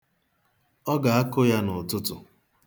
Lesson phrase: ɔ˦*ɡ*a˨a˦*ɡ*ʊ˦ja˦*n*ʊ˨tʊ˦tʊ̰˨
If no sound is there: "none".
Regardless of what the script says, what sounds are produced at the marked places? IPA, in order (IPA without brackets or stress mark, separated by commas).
ɡ, k, n